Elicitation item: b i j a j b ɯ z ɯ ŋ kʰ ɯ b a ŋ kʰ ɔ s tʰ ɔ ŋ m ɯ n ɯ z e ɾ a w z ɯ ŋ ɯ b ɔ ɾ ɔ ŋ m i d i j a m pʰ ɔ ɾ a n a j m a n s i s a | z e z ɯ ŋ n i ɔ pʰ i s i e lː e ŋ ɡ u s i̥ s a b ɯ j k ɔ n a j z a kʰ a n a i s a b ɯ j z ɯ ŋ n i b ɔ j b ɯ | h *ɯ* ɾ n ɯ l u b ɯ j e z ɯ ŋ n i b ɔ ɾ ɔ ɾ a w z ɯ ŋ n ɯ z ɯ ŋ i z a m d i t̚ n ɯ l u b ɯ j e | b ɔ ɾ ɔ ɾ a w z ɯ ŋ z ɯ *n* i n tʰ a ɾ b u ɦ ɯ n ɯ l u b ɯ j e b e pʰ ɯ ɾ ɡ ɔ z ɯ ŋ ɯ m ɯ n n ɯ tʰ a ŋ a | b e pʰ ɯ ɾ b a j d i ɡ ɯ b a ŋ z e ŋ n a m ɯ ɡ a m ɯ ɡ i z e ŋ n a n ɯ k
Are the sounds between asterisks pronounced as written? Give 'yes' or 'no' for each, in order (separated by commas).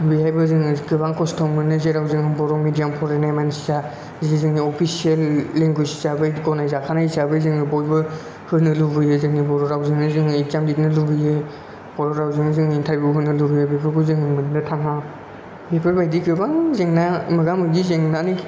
yes, no